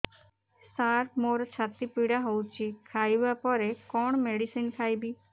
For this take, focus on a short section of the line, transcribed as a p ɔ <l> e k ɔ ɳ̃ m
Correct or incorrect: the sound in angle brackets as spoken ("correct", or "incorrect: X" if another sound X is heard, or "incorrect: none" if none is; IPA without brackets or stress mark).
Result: incorrect: ɾ